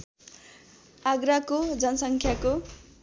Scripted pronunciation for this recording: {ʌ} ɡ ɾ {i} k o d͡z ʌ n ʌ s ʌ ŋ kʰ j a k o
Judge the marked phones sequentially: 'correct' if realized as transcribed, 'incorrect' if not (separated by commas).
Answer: incorrect, incorrect